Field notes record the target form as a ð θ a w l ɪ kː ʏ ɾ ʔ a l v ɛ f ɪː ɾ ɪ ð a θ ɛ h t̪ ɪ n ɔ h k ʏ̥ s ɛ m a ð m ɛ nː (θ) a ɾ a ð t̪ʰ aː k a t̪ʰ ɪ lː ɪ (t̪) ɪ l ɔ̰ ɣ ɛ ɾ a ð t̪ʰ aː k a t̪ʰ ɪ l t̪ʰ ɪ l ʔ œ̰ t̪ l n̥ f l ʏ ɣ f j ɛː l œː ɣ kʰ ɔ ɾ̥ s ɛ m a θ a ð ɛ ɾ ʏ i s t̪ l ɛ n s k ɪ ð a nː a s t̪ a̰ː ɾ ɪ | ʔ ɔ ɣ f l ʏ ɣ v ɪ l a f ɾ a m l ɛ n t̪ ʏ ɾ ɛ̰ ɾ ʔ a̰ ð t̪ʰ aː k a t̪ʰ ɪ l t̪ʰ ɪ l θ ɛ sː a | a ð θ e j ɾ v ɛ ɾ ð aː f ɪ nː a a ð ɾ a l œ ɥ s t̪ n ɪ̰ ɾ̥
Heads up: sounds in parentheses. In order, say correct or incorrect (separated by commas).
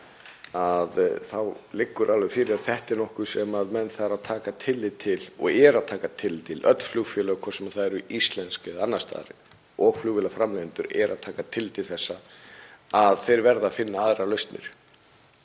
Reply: correct, incorrect